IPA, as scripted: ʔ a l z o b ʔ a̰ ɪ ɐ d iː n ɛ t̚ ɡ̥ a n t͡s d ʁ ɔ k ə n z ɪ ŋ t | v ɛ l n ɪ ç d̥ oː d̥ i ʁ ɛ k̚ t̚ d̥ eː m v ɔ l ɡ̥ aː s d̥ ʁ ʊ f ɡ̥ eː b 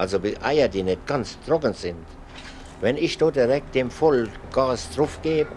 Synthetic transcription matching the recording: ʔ a l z o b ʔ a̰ ɪ ɐ d iː n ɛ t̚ ɡ̥ a n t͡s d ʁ ɔ k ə n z ɪ n t | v ɛ n ɪ ç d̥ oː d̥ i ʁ ɛ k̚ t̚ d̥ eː m f ɔ l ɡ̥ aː s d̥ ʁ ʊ f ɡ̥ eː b

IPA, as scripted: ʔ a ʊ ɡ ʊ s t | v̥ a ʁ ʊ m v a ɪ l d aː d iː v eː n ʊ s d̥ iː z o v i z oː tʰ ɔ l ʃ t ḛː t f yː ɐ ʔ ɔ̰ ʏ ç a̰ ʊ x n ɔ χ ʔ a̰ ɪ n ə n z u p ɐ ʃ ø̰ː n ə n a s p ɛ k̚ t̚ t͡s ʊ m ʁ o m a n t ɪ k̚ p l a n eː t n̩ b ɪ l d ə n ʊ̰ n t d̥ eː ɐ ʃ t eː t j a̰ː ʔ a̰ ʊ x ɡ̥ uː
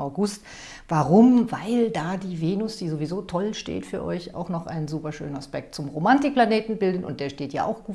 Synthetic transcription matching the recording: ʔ a ʊ ɡ ʊ s t | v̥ a ʁ ʊ m v a ɪ l d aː d iː v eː n ʊ s d̥ iː z o v i z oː tʰ ɔ l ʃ t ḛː t f yː ɐ ʔ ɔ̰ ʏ ç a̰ ʊ x n ɔ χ ʔ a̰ ɪ n ə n z uː p ɐ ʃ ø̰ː n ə n a s p ɛ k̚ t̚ t͡s ʊ m ʁ o m a n t ɪ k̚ p l a n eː t n̩ b ɪ l d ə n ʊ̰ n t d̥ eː ɐ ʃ t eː t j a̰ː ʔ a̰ ʊ x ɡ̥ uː

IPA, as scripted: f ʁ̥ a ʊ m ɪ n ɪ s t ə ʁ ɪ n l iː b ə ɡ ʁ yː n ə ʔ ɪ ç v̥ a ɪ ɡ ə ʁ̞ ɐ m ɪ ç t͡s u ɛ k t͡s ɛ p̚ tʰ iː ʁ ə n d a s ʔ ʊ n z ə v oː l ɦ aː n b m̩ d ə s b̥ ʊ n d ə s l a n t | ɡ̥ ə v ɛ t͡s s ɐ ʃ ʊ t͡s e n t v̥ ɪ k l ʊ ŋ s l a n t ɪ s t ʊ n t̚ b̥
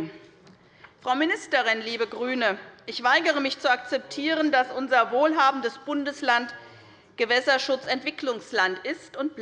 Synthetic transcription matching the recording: f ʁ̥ a ʊ m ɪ n ɪ s t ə ʁ ɪ n l iː b ə ɡ ʁ yː n ə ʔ ɪ ç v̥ a ɪ ɡ ə ʁ̞ ə m ɪ ç t͡s u a k t͡s ɛ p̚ tʰ iː ʁ ə n d a s ʔ ʊ n z ɐ v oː l ɦ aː b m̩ d ə s b̥ ʊ n d ə s l a n t | ɡ̥ ə v ɛ s ɐ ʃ ʊ t͡s ɛ n t v̥ ɪ k l ʊ ŋ s l a n t ɪ s t ʊ n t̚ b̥

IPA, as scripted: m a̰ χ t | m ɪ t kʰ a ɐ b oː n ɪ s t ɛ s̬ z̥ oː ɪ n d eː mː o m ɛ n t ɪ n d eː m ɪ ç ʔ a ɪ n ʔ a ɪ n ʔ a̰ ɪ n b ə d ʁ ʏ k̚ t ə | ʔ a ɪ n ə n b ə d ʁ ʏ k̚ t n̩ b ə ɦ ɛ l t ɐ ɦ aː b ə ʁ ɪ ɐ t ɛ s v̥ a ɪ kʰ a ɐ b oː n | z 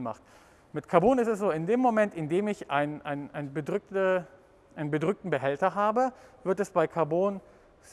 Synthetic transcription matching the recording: m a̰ χ t | m ɪ t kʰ a ɐ b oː n ɪ s t ɛ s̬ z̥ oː ɪ n d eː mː o m ɛ n t ɪ n d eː m ɪ ç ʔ a ɪ n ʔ a ɪ n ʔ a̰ ɪ n b ə d ʁ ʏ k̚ t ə | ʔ a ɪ n ə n b ə d ʁ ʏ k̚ t n̩ b ə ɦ ɛ l t ɐ ɦ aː b ə v ɪ ɐ t ɛ s b̥ a ɪ kʰ a ɐ b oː n | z

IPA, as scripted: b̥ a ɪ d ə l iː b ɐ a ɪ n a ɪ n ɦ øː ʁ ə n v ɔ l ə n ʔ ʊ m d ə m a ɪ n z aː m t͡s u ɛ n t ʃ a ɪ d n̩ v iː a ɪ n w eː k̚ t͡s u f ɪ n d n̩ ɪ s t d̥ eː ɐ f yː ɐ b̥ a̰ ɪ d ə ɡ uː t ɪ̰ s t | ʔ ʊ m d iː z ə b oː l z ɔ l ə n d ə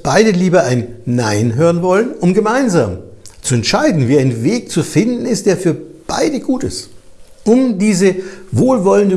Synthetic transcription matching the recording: b̥ a ɪ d ə l iː b ɐ a ɪ nː a ɪ n ɦ øː ʁ ə n v ɔ l ə n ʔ ʊ m ɡ ə m a ɪ n z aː m t͡s u ɛ n t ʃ a ɪ d n̩ v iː a ɪ n v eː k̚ t͡s u f ɪ n d n̩ ɪ s t d̥ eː ɐ f yː ɐ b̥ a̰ ɪ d ə ɡ uː t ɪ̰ s t | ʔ ʊ m d iː z ə v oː l v ɔ l ə n d ə

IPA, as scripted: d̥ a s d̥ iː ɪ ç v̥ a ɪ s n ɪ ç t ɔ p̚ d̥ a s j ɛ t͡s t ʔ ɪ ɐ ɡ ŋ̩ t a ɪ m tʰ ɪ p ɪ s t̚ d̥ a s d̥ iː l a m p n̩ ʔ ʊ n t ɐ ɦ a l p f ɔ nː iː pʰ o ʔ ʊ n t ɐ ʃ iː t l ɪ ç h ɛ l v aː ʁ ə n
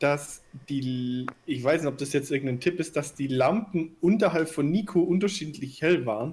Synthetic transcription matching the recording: d̥ a s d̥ iː ɪ ç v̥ a ɪ s n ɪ ç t ɔ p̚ d̥ a s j ɛ t͡s t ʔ ɪ ɐ ɡ ŋ̩ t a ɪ n tʰ ɪ p ɪ s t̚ d̥ a s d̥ iː l a m p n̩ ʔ ʊ n t ɐ ɦ a l p f ɔ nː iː kʰ o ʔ ʊ n t ɐ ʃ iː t l ɪ ç h ɛ l v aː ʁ ə n

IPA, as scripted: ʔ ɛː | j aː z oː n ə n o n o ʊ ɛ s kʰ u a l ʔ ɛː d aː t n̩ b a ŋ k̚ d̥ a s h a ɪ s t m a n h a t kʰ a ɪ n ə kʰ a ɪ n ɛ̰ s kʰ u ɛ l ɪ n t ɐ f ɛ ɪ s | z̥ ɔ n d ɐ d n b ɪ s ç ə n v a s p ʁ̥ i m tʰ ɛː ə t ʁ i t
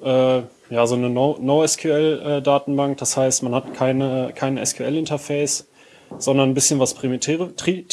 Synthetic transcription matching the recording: ʔ ɛː | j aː z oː n ə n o n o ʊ ɛ s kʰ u ɛ l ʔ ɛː d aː t n̩ b a ŋ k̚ d̥ a s h a ɪ s t m a n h a t kʰ a ɪ n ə kʰ a ɪ n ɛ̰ s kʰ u ɛ l ɪ n t ɐ f ɛ ɪ s | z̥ ɔ n d ɐ n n b ɪ s ç ə n v a s p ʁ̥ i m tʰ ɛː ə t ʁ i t

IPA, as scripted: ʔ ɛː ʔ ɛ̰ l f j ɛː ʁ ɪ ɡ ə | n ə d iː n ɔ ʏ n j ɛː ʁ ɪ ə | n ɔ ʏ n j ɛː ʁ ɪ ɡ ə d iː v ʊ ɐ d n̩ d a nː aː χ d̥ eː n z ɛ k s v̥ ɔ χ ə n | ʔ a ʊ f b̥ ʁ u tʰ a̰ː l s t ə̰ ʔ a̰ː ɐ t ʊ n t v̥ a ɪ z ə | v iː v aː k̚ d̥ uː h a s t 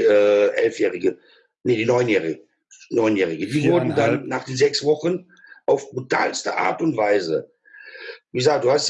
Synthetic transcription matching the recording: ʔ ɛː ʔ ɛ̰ l f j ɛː ʁ ɪ ɡ ə | n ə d iː n ɔ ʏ n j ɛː ʁ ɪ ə | n ɔ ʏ n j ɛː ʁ ɪ ɡ ə d iː v ʊ ɐ d n̩ d a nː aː χ d̥ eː n z ɛ k s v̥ ɔ χ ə n | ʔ a ʊ f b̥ ʁ u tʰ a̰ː l s t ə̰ ʔ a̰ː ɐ t ʊ n t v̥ a ɪ z ə | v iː z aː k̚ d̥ uː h a s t

